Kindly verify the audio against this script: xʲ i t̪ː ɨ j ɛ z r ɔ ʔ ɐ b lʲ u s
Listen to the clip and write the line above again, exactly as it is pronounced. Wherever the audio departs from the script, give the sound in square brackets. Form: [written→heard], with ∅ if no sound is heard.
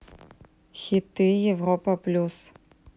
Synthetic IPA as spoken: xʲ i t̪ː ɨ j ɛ [z→v] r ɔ [ʔ→p] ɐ [b→p] lʲ u s